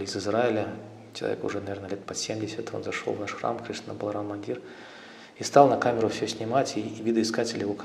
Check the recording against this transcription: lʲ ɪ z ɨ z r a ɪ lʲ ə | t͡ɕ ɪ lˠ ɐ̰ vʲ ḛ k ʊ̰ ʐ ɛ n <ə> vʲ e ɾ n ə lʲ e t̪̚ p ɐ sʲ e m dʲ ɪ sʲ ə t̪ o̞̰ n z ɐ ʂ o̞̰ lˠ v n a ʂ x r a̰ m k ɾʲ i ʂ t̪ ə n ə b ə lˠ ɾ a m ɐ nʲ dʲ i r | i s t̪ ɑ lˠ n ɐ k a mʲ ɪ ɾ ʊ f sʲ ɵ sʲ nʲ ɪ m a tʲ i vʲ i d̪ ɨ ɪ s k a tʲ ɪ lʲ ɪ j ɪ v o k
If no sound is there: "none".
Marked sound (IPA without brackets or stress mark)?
ɐ